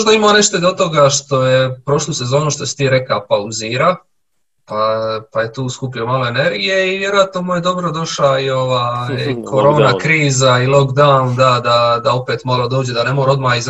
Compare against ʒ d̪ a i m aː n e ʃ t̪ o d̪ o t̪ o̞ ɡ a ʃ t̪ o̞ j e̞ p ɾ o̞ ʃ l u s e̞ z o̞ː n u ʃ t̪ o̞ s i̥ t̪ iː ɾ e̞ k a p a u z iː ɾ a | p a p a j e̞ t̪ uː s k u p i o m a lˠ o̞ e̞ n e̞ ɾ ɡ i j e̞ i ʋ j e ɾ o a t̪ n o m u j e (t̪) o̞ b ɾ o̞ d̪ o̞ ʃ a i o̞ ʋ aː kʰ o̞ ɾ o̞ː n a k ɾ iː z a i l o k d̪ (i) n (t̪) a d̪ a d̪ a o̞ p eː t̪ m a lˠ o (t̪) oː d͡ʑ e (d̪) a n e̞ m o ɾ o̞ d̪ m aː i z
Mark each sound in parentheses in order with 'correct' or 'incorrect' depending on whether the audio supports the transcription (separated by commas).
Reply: incorrect, incorrect, incorrect, incorrect, correct